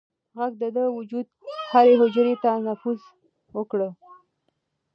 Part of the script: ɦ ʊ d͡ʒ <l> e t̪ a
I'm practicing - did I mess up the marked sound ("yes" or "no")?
yes